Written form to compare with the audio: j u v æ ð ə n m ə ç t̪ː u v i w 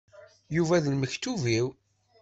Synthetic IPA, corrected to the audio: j u v æ ð ə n m ə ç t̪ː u v i w